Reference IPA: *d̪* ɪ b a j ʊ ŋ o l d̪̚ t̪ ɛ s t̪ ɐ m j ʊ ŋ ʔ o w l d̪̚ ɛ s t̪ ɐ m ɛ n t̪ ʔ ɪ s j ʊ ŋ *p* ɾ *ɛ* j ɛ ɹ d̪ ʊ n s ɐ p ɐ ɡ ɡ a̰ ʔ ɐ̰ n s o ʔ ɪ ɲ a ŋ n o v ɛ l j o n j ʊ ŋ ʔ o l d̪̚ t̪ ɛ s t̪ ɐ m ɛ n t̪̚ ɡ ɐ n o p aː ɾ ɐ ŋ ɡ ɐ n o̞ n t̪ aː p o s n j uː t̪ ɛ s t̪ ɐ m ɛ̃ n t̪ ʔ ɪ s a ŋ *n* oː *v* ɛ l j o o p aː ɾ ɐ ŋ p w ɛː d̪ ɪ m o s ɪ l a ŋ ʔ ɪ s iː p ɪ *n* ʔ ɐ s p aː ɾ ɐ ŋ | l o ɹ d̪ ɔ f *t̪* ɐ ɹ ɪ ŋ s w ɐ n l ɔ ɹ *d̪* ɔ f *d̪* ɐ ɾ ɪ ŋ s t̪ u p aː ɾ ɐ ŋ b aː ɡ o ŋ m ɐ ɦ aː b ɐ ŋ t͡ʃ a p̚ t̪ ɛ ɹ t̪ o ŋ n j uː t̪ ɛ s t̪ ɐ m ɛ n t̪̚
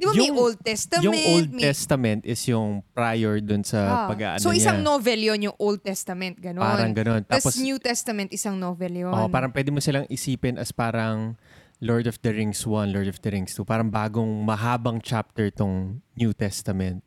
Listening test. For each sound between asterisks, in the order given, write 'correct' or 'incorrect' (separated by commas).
correct, correct, incorrect, correct, correct, correct, incorrect, correct, correct